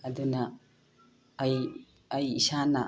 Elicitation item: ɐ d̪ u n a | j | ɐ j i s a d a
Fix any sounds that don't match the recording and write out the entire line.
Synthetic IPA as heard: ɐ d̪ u n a | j | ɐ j i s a n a